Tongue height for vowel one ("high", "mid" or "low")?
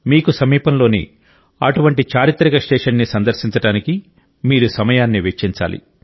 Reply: high